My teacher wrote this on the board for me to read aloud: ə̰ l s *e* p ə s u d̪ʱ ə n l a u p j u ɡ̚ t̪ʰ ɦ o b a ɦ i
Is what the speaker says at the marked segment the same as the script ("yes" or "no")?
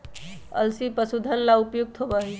no